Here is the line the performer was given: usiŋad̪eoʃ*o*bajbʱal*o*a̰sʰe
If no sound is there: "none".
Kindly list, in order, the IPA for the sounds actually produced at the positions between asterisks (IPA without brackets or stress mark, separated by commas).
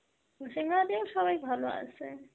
ɔ, o